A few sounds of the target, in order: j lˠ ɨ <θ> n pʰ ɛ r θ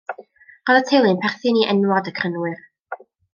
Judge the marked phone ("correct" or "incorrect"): incorrect